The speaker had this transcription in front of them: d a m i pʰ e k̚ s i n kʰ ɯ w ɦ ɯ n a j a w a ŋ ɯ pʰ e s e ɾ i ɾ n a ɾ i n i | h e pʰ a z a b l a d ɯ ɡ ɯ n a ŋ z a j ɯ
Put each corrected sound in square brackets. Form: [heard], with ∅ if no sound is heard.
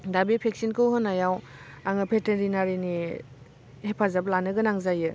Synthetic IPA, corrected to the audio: d a [b] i pʰ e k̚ s i n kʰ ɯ w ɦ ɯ n a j a w a ŋ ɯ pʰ e [t] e ɾ i [∅] n a ɾ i n i | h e pʰ a z a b l a [n] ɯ ɡ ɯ n a ŋ z a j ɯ